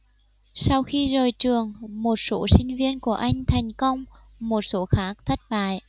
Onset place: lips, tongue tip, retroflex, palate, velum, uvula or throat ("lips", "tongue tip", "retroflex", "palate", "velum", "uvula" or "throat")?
tongue tip